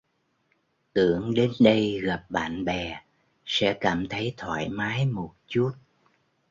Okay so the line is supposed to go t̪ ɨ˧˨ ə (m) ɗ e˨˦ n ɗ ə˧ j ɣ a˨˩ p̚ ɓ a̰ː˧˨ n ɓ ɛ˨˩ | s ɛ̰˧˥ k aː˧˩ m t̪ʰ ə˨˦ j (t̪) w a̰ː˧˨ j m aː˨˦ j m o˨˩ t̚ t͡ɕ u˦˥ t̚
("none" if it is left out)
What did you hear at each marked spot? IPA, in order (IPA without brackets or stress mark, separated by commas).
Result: ŋ, t̪ʰ